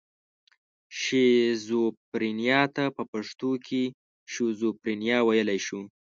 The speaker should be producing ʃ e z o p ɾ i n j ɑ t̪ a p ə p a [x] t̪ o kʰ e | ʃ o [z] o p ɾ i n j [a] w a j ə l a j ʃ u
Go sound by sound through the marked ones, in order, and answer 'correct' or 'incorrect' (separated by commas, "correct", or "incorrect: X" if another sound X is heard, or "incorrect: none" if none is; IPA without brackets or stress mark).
incorrect: ʂ, correct, incorrect: ɑ